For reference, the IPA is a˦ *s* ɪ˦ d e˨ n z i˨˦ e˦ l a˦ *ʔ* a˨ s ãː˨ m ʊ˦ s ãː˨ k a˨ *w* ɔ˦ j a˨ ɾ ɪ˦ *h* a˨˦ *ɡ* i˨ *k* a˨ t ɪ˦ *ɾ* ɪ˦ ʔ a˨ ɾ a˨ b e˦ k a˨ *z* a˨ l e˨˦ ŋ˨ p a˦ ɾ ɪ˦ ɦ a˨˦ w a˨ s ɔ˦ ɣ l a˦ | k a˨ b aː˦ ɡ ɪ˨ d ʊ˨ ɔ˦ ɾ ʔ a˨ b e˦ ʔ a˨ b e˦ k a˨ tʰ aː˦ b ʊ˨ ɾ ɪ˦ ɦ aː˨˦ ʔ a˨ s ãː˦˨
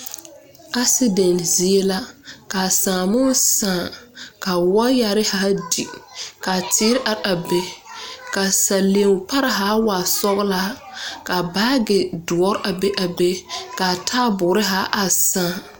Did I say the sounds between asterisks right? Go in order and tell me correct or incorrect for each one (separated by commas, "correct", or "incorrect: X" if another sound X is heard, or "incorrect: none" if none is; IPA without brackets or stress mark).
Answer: correct, incorrect: k, correct, correct, incorrect: d, correct, correct, incorrect: s